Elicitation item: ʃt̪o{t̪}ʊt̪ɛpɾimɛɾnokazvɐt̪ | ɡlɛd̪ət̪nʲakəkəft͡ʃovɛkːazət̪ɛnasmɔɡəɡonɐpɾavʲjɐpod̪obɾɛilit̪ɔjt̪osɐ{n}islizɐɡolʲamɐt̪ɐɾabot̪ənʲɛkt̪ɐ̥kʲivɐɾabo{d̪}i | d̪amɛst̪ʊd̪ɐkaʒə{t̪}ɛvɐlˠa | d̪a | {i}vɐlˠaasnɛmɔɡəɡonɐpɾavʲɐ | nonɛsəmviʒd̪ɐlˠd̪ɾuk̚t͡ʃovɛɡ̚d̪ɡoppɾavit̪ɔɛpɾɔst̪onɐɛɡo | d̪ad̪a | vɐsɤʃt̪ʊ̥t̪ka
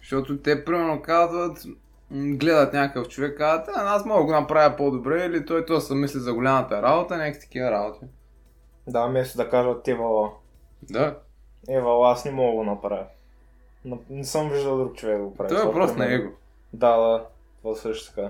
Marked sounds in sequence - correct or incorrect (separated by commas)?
correct, incorrect, incorrect, correct, incorrect